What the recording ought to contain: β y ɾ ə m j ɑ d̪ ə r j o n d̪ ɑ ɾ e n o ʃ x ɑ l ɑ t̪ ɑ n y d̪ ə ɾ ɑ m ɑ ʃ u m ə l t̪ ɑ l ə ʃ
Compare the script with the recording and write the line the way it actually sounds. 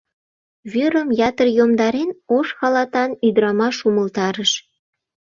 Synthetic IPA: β y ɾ ə m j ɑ t̪ ə r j o m d̪ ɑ ɾ e n o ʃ x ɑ l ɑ t̪ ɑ n y d̪ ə ɾ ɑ m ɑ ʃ u m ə l t̪ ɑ ɾ ə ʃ